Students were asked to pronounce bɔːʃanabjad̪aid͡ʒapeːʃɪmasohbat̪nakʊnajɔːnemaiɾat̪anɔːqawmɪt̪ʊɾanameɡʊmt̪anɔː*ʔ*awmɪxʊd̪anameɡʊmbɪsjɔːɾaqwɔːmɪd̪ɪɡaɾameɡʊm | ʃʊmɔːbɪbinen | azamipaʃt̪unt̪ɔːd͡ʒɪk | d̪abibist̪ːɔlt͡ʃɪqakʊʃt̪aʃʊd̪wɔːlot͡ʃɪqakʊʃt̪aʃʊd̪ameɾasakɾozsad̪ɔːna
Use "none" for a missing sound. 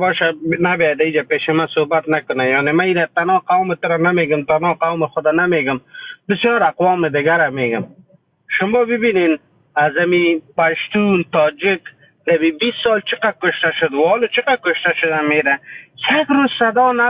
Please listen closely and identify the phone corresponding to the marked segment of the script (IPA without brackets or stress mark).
q